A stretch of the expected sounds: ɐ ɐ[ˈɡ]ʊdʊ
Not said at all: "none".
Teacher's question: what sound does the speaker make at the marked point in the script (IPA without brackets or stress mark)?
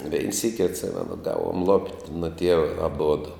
b